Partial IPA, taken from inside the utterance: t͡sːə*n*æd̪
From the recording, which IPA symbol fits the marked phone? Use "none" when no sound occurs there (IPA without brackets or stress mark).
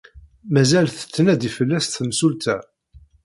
n